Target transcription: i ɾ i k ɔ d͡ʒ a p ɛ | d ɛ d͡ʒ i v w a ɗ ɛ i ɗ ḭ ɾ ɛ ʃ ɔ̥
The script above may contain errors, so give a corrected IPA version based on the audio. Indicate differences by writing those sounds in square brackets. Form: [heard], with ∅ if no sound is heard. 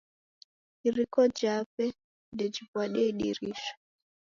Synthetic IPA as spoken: i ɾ i k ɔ d͡ʒ a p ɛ | d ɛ d͡ʒ i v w a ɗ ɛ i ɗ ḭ ɾ [i] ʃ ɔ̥